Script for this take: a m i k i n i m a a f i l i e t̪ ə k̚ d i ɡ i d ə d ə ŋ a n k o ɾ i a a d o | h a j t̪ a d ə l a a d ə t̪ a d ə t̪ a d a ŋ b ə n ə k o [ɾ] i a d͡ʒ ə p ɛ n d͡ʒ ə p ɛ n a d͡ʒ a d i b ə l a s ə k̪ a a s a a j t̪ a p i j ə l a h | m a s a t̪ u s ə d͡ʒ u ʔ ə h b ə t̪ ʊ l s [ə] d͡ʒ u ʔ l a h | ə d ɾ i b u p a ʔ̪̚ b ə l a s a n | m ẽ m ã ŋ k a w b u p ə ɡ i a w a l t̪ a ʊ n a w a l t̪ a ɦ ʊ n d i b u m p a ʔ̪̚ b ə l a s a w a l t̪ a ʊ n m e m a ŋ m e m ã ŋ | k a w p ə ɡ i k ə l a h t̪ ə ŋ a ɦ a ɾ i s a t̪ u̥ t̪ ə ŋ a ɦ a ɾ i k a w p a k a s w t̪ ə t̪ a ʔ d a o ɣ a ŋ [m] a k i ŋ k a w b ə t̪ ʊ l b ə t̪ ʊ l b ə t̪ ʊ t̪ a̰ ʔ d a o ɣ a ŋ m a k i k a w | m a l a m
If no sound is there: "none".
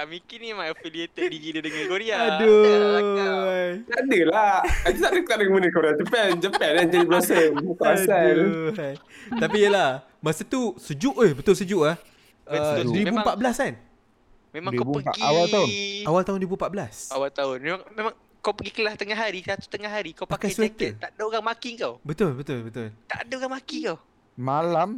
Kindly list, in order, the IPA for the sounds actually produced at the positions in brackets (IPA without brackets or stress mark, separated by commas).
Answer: ɾ, ə, m